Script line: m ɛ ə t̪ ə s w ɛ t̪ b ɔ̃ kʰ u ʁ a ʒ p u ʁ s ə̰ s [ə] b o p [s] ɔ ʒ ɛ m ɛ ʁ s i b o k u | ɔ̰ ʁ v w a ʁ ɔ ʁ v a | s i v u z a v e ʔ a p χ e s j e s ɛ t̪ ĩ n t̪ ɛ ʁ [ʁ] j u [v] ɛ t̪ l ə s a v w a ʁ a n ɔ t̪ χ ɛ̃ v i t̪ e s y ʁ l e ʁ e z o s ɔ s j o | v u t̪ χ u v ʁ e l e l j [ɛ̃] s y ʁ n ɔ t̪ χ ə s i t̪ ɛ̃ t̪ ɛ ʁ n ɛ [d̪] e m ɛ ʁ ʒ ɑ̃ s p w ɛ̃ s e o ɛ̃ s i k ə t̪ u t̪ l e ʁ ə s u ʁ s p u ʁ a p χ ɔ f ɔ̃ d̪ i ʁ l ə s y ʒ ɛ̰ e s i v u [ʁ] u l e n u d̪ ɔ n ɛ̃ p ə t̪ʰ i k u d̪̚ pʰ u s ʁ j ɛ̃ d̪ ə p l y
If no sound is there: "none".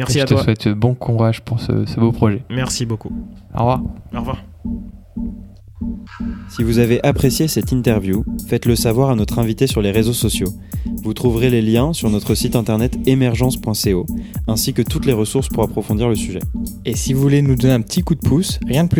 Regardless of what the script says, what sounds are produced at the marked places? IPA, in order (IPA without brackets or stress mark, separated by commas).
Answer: ə, χ, v, f, ɛ̃, t̪, v